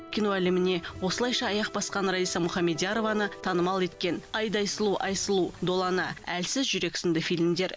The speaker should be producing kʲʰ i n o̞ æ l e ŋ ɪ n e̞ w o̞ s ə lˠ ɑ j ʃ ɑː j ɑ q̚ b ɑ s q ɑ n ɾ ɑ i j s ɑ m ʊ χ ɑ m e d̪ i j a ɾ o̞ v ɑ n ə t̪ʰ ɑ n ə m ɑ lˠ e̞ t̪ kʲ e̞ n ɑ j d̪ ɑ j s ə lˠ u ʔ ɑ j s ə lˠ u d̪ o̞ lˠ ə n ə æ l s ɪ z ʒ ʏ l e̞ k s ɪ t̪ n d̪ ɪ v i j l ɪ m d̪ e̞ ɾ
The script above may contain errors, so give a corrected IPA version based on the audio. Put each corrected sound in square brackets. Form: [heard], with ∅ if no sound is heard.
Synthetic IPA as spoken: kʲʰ i n o̞ æ l e [m] ɪ n e̞ w o̞ s ə lˠ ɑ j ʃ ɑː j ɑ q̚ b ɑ s q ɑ n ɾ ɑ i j s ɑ m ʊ χ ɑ m e d̪ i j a ɾ o̞ v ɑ n ə t̪ʰ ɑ n ə m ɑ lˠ e̞ t̪ kʲ e̞ n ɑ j d̪ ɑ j s ə lˠ u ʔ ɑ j s ə lˠ u d̪ o̞ lˠ [ɑ] n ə æ l s ɪ z ʒ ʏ [ɾ] e̞ k s ɪ [∅] n d̪ ɪ [f] i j l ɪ m d̪ e̞ ɾ